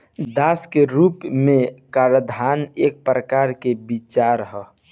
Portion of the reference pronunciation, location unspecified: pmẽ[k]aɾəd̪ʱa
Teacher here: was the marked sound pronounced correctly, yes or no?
yes